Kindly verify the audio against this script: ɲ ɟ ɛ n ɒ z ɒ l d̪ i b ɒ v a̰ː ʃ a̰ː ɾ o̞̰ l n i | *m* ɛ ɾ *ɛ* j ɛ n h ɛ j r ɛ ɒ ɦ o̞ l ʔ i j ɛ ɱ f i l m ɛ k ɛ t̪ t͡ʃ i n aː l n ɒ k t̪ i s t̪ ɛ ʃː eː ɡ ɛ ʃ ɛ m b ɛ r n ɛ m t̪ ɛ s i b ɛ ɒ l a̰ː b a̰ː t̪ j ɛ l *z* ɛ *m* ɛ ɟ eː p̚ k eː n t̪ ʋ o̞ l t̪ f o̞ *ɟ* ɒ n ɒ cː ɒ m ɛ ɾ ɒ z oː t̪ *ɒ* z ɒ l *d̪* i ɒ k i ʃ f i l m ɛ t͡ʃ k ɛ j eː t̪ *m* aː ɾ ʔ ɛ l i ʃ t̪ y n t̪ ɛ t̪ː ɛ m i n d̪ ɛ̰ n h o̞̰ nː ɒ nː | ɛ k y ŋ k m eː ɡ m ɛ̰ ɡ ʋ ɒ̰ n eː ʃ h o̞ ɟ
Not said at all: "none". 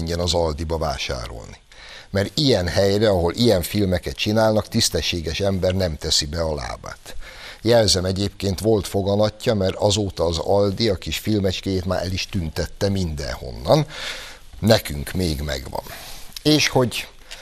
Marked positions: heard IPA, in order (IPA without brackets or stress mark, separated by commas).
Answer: m, i, z, m, ɡ, ɒː, d̪, m